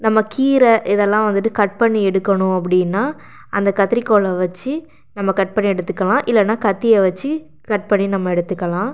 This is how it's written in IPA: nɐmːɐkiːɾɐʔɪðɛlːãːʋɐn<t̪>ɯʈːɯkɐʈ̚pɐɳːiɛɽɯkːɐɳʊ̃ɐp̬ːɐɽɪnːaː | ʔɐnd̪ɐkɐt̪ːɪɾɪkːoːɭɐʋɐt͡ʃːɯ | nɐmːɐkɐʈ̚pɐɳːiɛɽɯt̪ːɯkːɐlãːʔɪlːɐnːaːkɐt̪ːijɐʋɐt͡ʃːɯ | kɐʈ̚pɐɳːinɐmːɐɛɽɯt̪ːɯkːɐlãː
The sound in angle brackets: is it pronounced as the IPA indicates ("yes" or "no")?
no